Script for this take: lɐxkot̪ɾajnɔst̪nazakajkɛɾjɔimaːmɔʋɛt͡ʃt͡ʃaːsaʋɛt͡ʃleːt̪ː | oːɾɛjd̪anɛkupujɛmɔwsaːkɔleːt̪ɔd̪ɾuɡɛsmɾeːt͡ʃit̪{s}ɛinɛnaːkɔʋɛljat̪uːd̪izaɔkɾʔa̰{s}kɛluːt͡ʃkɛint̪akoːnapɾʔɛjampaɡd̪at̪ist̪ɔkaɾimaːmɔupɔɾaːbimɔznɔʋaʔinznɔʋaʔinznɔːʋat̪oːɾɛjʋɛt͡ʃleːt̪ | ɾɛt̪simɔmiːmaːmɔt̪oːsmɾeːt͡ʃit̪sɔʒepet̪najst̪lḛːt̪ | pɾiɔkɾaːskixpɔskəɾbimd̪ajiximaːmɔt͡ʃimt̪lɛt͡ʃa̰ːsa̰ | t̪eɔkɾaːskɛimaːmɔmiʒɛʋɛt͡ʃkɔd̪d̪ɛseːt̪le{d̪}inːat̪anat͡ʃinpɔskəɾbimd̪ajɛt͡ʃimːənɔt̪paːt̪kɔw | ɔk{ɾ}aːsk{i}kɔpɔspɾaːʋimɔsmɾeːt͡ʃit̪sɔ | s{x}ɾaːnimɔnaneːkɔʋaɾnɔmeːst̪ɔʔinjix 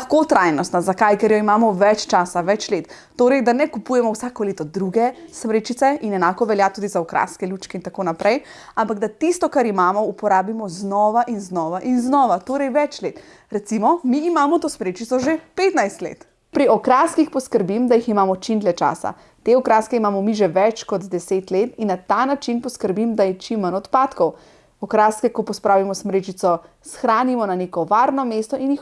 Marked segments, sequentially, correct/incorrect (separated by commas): correct, correct, incorrect, correct, incorrect, correct